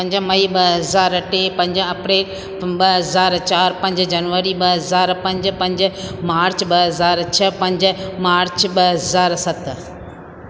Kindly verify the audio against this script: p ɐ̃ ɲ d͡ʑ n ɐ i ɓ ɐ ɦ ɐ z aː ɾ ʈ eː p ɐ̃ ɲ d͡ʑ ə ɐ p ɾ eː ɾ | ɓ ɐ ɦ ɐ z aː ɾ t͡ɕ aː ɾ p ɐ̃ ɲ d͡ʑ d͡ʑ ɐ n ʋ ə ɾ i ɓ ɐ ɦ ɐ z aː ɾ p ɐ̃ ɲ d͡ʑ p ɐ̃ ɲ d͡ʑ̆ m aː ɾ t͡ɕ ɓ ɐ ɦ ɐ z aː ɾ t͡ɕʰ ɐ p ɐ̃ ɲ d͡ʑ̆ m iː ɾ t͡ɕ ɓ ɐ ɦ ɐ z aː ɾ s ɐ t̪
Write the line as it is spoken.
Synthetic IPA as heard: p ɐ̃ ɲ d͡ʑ m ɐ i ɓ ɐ ɦ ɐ z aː ɾ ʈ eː p ɐ̃ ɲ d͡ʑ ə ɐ p ɾ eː l | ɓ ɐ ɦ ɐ z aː ɾ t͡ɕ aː ɾ p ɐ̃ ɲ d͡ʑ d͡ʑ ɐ n ʋ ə ɾ i ɓ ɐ ɦ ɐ z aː ɾ p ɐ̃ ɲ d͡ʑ p ɐ̃ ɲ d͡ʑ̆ m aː ɾ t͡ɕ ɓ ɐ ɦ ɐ z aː ɾ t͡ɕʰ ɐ p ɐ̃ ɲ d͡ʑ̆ m aː ɾ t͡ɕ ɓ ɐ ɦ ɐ z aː ɾ s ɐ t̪